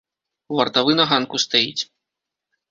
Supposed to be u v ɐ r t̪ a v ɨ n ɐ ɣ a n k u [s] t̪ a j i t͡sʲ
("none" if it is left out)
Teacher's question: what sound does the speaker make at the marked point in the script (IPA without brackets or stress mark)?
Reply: s